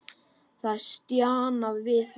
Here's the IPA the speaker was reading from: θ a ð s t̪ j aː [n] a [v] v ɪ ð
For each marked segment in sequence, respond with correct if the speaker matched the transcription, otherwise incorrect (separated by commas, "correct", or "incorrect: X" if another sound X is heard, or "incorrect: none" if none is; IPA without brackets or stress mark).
correct, correct